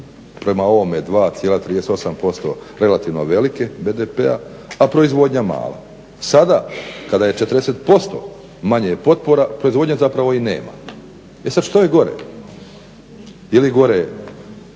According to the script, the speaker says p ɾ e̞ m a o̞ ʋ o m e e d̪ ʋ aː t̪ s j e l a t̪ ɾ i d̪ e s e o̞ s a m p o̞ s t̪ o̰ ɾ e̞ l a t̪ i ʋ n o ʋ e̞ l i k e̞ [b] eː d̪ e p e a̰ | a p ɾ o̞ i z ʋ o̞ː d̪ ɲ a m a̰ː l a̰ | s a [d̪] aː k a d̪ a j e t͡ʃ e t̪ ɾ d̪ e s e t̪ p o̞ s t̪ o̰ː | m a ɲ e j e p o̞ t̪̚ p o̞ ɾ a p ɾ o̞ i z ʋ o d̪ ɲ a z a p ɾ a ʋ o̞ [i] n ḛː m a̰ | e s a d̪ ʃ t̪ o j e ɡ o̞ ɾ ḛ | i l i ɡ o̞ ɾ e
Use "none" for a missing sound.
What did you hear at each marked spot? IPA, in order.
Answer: b, d̪, i

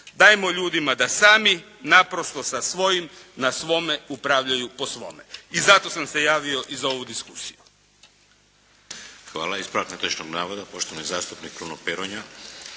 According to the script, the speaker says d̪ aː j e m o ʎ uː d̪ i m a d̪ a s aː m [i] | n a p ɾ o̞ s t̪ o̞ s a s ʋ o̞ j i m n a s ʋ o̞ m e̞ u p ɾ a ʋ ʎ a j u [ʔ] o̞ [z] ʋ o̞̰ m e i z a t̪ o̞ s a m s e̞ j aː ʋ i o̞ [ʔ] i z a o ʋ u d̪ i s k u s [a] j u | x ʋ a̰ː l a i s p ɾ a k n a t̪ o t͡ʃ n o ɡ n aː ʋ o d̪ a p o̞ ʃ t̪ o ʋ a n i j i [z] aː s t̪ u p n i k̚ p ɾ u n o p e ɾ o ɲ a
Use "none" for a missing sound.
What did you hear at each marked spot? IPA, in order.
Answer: i, p, s, ʔ, i, z

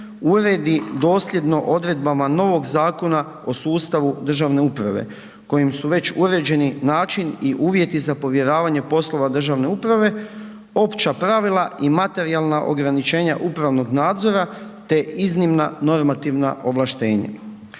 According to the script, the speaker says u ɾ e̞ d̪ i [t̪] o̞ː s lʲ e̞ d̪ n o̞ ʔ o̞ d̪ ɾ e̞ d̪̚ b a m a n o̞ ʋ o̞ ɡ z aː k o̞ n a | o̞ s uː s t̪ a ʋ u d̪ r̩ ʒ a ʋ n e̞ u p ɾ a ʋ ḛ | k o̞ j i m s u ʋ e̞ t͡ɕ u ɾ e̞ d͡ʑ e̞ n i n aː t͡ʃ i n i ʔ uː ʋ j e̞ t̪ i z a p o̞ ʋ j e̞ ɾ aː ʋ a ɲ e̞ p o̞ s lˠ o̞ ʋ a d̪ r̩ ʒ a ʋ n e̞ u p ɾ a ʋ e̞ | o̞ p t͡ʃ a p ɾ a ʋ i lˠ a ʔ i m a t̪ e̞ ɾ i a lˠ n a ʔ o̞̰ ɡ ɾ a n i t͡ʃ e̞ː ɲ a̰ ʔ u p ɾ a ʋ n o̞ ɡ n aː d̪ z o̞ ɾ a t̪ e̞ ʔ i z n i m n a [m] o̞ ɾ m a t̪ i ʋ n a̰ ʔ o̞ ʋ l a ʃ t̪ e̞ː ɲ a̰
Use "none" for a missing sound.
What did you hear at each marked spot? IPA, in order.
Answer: d̪, n

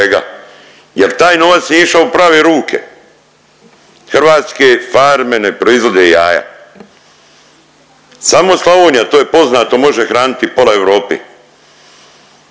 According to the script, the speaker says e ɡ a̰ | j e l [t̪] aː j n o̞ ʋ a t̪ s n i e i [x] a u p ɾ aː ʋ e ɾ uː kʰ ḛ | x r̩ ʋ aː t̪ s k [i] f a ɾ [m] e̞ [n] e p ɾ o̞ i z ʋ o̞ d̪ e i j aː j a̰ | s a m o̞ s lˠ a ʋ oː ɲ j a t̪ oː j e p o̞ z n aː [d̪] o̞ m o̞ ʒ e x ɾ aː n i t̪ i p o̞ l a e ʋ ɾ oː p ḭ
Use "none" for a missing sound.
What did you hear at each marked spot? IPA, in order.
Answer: t̪, ʃ, e, m, n, t̪

